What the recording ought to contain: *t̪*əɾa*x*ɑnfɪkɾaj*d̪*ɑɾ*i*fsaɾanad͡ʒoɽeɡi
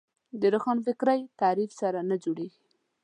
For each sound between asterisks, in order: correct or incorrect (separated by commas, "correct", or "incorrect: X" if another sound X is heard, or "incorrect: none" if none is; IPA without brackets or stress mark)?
incorrect: d̪, correct, incorrect: t̪, correct